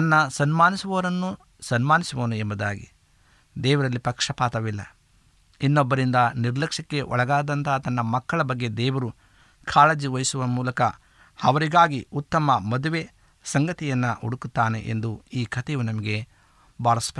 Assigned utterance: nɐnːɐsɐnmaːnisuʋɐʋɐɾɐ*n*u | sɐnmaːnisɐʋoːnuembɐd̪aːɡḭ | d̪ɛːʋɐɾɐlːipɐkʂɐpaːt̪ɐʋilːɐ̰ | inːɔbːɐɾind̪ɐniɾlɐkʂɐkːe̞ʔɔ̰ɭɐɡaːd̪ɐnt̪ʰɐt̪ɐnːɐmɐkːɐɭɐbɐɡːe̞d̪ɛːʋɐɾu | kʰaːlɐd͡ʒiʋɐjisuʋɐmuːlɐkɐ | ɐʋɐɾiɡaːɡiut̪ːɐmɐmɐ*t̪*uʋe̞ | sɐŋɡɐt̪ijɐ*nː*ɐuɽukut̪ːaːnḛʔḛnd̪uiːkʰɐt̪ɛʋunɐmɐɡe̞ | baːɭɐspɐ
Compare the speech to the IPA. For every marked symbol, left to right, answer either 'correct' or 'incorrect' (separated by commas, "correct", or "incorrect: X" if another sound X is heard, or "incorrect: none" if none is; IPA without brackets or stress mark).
incorrect: nː, incorrect: d̪, correct